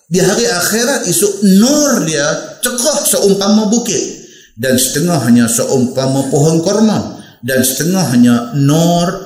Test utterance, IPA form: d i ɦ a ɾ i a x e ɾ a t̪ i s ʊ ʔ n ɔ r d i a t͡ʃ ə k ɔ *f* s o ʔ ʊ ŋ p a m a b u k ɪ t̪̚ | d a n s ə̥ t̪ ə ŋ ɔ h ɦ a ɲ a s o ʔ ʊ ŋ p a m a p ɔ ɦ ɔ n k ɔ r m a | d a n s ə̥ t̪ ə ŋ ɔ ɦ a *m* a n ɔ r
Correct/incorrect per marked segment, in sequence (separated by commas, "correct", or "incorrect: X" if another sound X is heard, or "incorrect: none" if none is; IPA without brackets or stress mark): incorrect: h, incorrect: ɲ